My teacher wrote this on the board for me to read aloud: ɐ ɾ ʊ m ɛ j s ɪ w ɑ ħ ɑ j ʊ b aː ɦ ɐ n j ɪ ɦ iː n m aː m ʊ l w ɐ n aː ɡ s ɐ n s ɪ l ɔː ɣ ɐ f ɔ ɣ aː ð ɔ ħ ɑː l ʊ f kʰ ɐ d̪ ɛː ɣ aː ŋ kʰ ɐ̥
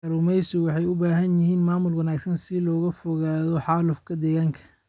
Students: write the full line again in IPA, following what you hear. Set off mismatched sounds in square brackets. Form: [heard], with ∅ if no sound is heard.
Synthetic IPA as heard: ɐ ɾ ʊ m ɛ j s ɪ w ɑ ħ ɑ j ʊ b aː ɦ ɐ n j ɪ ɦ iː n m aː m ʊ l w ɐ n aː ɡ s ɐ n s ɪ l ɔː ɣ ɐ f ɔ ɣ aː ð ɔ ħ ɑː l ʊ f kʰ ɐ d̪ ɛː ɣ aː ŋ kʰ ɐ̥